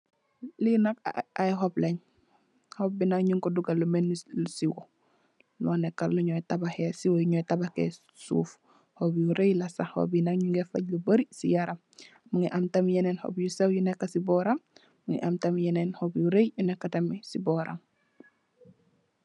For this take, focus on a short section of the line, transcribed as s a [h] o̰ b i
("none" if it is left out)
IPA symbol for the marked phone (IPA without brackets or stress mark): h